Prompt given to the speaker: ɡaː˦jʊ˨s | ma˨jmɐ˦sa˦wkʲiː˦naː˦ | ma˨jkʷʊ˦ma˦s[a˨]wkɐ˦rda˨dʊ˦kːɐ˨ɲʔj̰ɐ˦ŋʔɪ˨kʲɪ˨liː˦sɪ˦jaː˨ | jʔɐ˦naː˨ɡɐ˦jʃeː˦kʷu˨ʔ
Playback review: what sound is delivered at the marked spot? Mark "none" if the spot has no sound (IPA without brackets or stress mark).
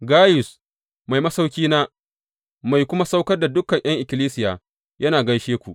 a˦